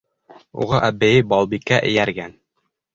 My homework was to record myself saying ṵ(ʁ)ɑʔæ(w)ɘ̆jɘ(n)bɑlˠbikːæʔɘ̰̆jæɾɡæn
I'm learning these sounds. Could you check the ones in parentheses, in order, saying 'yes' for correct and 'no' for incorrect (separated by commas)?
yes, no, no